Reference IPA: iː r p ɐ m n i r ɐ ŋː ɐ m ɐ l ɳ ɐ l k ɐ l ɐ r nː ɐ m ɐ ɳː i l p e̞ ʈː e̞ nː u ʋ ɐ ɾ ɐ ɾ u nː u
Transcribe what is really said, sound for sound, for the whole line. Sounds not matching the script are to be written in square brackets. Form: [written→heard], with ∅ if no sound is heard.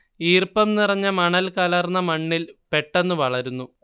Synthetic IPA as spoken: iː r p ɐ m n i r ɐ [ŋː→ɲː] ɐ m ɐ [l→∅] ɳ ɐ l k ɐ l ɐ r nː ɐ m ɐ ɳː i l p e̞ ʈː e̞ nː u ʋ ɐ [ɾ→ɭ] ɐ ɾ u nː u